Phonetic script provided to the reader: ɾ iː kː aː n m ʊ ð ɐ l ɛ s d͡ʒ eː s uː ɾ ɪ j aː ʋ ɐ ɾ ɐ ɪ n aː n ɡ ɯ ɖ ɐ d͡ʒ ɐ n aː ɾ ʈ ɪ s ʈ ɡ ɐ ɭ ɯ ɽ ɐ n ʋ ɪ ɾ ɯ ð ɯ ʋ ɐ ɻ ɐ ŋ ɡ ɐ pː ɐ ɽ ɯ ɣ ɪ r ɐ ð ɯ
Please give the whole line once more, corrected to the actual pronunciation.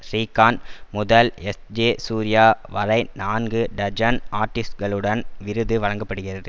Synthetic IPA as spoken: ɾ iː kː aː n m ʊ ð ɐ l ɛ s d͡ʒ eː s uː ɾ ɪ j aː ʋ ɐ ɾ ɐ ɪ n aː n ɡ ɯ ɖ ɐ d͡ʒ ɐ n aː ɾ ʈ ɪ s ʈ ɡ ɐ ɭ ɯ ɽ ɐ n ʋ ɪ ɾ ɯ ð ɯ ʋ ɐ ɻ ɐ ŋ ɡ ɐ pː ɐ ɽ ɯ ɣ ɪ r ɐ ð ɯ